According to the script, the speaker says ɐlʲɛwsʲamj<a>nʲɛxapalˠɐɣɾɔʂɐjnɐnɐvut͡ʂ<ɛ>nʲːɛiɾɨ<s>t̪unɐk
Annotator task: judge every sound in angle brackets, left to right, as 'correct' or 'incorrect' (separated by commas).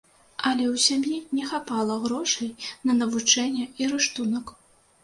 incorrect, correct, incorrect